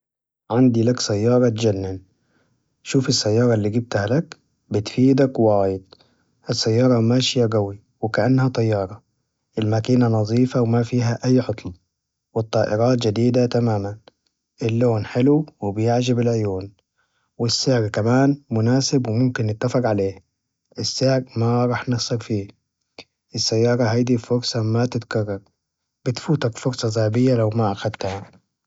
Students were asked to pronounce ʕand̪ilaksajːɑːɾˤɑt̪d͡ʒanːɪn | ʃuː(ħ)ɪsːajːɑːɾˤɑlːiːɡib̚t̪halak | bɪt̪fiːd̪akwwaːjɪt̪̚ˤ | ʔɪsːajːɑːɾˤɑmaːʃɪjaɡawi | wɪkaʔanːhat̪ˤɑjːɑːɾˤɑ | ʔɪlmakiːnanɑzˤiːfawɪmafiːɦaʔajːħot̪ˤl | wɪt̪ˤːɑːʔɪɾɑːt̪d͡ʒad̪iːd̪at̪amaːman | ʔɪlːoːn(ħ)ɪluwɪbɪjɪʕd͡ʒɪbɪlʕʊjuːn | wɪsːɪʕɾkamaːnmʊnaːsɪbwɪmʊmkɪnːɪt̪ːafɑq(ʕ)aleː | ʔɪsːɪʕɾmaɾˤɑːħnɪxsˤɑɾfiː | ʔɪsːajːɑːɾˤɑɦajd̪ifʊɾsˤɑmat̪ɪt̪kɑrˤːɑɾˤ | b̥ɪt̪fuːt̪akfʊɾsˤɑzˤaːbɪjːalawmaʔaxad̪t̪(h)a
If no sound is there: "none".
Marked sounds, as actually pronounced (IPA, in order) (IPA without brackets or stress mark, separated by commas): f, ħ, ʕ, h